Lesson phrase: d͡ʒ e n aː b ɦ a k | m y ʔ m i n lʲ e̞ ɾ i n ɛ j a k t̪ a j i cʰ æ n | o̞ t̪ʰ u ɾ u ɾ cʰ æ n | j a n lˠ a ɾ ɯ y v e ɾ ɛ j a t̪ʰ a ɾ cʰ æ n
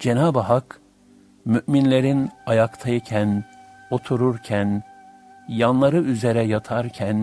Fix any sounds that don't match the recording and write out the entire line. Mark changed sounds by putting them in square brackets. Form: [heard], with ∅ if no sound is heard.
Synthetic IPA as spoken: d͡ʒ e n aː b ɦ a k | m y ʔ m i n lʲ e̞ ɾ i n [a] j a k [t̪ʰ] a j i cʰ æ n | o̞ t̪ʰ u ɾ u ɾ cʰ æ n | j a n lˠ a ɾ ɯ y [z] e ɾ ɛ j a t̪ʰ a ɾ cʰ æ n